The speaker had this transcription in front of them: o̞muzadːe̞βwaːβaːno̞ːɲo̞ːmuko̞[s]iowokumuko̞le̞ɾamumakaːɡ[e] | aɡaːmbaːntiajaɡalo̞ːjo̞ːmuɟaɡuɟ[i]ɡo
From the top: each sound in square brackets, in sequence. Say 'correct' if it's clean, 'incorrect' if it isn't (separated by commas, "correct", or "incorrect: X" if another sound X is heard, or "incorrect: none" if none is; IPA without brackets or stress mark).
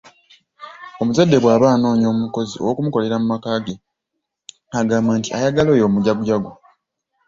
incorrect: z, correct, incorrect: a